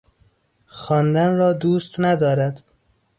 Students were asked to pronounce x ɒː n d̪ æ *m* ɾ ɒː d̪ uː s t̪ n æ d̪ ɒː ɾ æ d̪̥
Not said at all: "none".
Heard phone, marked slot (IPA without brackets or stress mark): n